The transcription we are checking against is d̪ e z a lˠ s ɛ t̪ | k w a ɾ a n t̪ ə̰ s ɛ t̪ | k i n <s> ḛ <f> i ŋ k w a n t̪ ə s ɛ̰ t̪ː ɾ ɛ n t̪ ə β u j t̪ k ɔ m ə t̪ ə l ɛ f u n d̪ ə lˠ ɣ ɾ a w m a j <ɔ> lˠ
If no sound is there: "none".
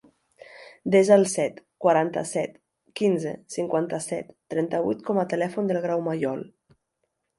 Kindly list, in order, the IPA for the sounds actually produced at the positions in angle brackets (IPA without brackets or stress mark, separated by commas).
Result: z, s, ɔ